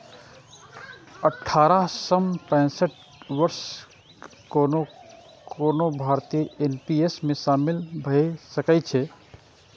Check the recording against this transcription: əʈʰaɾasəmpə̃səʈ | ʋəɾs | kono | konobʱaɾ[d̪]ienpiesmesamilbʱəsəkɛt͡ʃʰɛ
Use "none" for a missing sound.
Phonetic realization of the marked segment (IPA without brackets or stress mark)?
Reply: t̪